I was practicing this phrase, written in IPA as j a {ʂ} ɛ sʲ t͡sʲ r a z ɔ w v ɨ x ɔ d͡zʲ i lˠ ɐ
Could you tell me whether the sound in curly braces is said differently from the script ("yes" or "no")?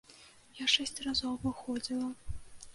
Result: no